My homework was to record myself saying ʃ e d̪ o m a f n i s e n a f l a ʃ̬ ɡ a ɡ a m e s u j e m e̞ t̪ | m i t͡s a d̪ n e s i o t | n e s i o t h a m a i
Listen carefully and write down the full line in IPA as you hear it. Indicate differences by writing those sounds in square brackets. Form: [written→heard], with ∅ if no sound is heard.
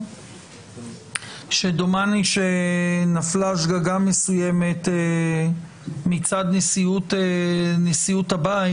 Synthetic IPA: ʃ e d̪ o m a [f→∅] n i [s→ʃ] e n a f l a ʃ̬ ɡ a ɡ a m e s u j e m e̞ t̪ | m i t͡s a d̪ n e s i [o→u] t | n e s i [o→u] t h a [m→b] a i